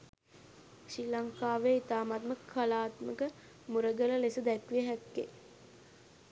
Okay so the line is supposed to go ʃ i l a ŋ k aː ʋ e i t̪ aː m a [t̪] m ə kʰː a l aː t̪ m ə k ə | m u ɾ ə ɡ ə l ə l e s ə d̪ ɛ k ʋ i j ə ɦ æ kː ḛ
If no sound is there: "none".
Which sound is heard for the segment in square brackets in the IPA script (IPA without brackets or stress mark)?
t̪